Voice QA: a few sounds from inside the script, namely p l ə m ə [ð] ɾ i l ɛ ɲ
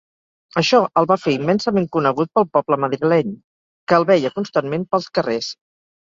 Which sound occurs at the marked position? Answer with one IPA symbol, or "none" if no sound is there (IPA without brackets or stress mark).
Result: ð